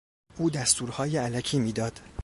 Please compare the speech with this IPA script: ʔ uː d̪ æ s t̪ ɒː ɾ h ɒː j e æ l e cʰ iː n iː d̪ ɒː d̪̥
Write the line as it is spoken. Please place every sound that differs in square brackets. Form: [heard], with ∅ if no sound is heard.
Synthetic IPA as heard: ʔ uː d̪ æ s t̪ [uː] ɾ h ɒː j e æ l [æ] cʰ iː [m] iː d̪ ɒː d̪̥